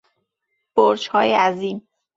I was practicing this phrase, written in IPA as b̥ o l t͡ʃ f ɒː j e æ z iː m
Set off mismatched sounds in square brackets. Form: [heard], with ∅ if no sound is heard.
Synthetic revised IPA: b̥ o [ɾ] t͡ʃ [h] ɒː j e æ z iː m